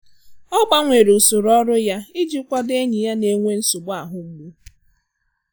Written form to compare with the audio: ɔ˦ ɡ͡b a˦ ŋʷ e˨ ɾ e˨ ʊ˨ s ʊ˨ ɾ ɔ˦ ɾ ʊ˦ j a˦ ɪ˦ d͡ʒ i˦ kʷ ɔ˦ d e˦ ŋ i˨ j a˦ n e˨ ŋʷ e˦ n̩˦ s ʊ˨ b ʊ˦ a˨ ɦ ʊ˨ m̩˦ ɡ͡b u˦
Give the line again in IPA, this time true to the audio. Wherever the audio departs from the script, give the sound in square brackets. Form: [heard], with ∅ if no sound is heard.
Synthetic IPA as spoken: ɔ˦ ɡ͡b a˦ ŋʷ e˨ ɾ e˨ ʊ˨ s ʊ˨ ɾ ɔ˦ ɾ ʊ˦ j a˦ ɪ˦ d͡ʒ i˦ kʷ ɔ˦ d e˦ [ɲ] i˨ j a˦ n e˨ ŋʷ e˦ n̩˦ s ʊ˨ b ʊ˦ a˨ ɦ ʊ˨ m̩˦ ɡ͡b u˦